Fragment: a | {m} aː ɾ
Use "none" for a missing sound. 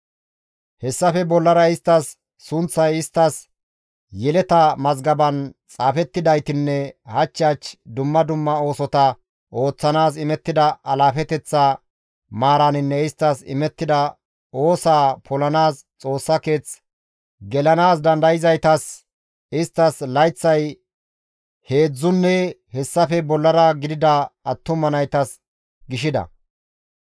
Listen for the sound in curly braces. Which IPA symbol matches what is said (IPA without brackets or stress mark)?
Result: m